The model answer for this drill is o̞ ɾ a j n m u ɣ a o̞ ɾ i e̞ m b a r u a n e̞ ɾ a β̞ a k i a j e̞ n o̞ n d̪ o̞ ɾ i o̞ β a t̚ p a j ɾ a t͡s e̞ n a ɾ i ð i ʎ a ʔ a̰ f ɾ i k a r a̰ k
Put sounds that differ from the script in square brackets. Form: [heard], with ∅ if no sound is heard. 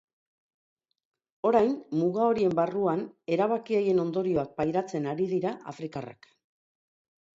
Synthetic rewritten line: o̞ ɾ a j n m u ɣ a o̞ ɾ i e̞ m b a r u a n e̞ ɾ a β̞ a k i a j e̞ n o̞ n d̪ o̞ ɾ i o̞ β a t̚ p a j ɾ a t͡s e̞ n a ɾ i ð i [ɾ] a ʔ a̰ f ɾ i k a r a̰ k